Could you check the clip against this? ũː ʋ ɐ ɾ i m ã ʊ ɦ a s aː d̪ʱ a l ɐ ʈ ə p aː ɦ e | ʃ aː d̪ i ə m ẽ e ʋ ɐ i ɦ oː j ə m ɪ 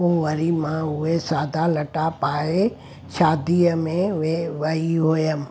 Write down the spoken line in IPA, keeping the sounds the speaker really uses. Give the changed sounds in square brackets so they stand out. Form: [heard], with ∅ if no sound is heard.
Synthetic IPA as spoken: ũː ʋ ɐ ɾ i m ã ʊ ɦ [e] s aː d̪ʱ a l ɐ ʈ [a] p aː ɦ e | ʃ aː d̪ i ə m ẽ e ʋ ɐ i ɦ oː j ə m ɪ